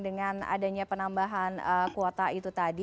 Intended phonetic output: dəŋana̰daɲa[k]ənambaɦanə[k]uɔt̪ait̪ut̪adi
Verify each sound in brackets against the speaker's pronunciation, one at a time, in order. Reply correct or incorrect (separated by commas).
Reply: incorrect, correct